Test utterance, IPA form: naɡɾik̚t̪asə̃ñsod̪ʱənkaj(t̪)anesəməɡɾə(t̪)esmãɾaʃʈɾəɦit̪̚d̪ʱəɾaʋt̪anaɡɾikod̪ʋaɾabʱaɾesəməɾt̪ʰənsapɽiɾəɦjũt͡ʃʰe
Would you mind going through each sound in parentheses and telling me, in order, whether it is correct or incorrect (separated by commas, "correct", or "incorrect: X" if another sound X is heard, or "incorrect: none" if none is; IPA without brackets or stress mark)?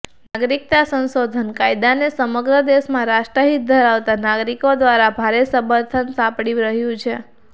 incorrect: d̪, incorrect: d̪